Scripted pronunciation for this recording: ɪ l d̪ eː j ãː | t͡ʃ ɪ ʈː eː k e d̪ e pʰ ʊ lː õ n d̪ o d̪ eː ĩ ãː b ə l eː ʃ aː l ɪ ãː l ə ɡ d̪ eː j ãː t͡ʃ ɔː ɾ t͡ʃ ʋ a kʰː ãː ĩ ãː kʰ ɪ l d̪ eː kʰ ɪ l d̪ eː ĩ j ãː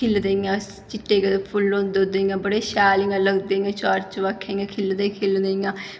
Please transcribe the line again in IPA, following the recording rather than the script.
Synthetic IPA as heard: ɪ l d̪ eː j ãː | t͡ʃ ɪ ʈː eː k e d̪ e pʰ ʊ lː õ n d̪ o d̪ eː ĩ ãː b ə ɽ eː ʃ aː l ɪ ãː l ə ɡ d̪ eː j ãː t͡ʃ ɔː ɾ t͡ʃ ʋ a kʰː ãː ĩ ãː kʰ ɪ l d̪ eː kʰ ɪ l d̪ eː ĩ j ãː